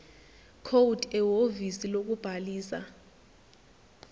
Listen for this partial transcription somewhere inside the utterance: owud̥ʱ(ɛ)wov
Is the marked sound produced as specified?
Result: yes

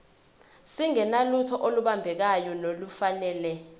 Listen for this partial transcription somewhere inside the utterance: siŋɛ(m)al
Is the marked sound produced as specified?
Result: no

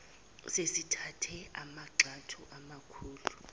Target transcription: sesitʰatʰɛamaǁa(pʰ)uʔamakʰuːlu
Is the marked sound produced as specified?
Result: no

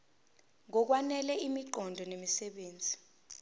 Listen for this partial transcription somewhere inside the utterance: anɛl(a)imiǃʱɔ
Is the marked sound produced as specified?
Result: no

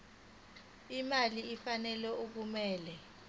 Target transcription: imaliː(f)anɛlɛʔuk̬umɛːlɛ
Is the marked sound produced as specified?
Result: yes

